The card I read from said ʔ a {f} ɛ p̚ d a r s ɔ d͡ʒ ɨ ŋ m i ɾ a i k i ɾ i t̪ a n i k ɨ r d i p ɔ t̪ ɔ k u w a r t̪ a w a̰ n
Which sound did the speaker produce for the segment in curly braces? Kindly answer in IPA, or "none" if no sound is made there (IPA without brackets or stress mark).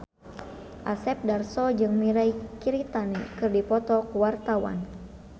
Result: s